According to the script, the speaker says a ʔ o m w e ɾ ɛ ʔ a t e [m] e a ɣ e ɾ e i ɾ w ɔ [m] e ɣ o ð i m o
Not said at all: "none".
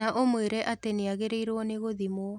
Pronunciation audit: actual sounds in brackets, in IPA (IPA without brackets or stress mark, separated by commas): n, n